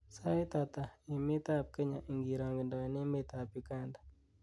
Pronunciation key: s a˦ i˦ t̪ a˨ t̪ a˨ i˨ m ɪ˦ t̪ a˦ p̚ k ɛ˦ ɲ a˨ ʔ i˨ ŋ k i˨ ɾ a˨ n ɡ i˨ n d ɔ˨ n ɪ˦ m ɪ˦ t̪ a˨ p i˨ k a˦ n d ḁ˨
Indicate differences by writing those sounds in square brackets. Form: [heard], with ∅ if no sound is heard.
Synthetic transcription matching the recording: s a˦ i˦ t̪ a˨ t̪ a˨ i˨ m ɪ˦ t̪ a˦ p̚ k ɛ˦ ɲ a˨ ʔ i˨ ŋ [ɡ] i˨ ɾ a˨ [ŋ] ɡ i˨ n d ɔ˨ n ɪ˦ m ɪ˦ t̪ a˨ p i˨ k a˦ n d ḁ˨

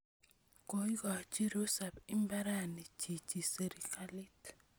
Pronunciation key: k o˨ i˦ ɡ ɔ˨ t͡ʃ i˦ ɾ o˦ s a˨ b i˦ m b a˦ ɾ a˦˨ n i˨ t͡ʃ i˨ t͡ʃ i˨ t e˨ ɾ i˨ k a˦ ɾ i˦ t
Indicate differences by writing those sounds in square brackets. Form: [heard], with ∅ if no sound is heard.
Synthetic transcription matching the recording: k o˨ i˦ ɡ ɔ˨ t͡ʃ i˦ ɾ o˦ s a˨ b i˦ m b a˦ ɾ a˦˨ n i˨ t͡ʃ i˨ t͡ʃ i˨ [s] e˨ ɾ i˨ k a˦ [l] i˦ t

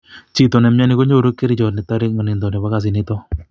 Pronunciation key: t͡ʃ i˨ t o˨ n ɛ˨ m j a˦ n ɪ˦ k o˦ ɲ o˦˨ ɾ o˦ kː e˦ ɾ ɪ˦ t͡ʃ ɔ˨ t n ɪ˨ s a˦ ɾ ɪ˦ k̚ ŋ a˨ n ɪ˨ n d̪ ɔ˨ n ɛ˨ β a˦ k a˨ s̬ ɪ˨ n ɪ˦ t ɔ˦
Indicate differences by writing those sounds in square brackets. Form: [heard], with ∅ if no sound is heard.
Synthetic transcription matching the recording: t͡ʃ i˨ t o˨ n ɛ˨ m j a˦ n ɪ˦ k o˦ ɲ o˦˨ ɾ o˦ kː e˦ ɾ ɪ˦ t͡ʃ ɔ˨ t n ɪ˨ [t] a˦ ɾ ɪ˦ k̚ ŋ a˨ n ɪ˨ n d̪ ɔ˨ n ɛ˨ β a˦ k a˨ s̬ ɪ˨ n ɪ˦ t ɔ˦

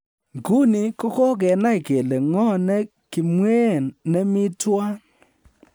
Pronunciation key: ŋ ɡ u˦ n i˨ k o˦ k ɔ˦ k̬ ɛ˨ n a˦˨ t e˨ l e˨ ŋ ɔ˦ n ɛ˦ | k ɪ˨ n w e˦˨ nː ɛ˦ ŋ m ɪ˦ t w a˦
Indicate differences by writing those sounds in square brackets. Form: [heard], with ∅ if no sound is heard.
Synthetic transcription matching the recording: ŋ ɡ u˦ n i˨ k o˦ k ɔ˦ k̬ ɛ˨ n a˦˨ [k] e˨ l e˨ ŋ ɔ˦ n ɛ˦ | k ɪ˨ [m] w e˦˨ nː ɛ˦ [∅] m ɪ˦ t w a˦

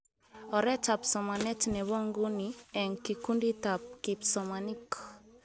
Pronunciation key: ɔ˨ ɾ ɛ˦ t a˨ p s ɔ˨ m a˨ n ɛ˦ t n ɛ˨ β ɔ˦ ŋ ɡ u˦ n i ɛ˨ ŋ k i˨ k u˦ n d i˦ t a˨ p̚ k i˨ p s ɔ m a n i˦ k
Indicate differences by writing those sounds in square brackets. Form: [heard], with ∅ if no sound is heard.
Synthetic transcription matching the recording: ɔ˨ ɾ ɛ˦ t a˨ p s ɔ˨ m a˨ n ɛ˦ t n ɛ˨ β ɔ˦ ŋ ɡ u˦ n i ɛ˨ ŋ k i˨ k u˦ n d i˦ t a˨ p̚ k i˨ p s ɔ m a n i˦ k

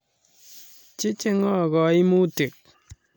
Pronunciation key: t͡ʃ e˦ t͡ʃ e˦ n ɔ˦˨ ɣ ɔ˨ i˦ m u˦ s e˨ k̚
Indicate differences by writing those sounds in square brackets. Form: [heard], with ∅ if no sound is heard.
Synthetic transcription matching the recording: t͡ʃ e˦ t͡ʃ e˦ [ŋ] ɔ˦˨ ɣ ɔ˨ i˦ m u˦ [t] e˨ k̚

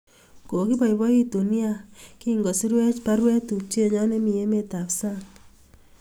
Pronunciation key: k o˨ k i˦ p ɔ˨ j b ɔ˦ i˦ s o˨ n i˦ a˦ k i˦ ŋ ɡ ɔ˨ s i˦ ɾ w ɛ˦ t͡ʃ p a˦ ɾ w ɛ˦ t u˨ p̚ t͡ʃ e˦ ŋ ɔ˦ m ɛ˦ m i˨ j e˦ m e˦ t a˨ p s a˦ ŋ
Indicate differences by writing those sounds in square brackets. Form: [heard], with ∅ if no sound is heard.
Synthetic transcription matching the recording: k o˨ k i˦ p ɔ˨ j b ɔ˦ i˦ [t] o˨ n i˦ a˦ k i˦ ŋ ɡ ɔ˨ s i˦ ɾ w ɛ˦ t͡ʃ p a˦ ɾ w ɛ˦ t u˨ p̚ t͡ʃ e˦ [ɲ] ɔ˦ [n] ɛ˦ m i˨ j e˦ m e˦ t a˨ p s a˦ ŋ

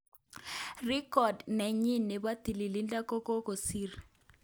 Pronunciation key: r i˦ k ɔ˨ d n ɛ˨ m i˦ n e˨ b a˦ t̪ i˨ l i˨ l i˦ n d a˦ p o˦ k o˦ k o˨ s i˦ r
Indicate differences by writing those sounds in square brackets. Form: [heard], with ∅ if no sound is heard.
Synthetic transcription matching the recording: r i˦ k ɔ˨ d n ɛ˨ [ɲ] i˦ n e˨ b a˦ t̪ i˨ l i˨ l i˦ n d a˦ [k] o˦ k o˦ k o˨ s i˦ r

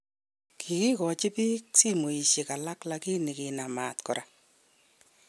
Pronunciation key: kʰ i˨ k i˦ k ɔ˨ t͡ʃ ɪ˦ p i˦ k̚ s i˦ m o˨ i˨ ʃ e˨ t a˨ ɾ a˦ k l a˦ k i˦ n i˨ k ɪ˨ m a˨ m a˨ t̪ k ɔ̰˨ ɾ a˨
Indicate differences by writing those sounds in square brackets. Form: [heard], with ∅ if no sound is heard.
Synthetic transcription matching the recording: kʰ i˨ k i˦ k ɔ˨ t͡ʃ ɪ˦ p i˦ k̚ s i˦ m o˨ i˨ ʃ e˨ [k] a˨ [l] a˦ k l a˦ k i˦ n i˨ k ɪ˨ [n] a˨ m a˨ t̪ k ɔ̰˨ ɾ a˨

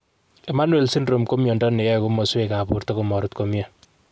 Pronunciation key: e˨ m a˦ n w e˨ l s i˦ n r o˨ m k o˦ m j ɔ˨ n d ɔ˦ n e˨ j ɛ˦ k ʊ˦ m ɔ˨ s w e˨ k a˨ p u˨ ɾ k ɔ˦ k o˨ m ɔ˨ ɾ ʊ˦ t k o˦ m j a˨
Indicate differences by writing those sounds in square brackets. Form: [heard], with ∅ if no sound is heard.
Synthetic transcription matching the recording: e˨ m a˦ n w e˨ l s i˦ n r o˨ m k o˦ m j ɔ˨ n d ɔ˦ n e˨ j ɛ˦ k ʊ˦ m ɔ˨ s w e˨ k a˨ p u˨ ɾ [t] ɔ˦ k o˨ m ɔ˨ ɾ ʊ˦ t k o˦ m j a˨

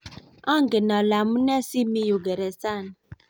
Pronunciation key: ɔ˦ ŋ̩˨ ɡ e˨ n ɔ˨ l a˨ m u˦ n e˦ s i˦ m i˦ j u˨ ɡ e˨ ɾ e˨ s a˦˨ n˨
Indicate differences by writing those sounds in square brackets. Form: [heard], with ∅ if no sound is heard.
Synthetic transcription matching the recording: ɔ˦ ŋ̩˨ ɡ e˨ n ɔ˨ l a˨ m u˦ n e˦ s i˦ m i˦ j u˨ ɡ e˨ ɾ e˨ s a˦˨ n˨

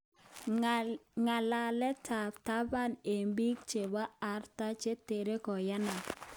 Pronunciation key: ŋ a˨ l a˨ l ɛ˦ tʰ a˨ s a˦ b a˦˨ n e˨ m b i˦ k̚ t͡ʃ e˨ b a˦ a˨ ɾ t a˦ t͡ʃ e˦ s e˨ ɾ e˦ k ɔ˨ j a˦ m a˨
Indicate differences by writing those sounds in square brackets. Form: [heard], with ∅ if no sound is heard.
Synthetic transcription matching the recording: ŋ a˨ l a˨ l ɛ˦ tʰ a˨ [t] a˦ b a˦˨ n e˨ m b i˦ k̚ t͡ʃ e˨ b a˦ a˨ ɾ t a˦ t͡ʃ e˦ [t] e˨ ɾ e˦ k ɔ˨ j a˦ [n] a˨

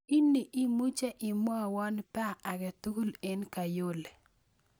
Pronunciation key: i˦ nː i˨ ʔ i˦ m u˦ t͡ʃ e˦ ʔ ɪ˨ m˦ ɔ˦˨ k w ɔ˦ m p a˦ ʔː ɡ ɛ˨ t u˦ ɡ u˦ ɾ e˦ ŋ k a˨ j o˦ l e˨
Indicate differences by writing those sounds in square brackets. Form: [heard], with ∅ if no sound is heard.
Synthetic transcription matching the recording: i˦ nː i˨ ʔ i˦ m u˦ t͡ʃ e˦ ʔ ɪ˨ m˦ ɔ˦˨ [∅] w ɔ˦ [n] p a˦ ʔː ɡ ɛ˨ t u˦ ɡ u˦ [l] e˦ [n] k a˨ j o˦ l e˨

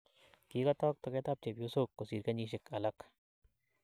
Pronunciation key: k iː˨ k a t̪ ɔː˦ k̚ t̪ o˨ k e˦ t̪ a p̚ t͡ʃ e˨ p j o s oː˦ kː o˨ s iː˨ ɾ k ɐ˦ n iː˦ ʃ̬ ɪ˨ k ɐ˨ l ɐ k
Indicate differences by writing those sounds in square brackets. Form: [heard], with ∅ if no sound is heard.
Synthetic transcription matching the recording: k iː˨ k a t̪ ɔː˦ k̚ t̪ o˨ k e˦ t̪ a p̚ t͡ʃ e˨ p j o s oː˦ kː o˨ s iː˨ ɾ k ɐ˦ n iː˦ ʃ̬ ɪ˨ k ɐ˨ l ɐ k

